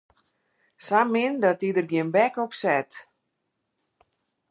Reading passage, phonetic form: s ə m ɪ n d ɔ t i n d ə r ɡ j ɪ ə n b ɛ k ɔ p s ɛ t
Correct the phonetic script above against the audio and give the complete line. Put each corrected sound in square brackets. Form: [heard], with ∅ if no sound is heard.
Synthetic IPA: s [a] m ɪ n d ɔ t i [∅] d ə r ɡ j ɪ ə n b ɛ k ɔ p s ɛ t